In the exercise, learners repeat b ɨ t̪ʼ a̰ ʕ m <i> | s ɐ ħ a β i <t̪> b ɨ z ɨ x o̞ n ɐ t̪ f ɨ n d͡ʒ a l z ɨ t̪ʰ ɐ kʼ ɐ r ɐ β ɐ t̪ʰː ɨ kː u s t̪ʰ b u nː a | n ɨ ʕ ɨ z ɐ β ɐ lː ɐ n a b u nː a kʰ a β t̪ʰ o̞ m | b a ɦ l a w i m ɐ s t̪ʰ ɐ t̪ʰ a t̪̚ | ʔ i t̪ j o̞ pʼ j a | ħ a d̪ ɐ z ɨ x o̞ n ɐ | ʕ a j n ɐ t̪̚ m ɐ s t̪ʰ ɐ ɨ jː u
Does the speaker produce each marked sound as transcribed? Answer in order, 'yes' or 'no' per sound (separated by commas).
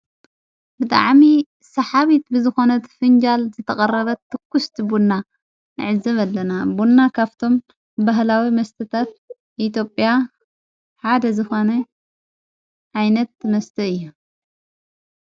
yes, yes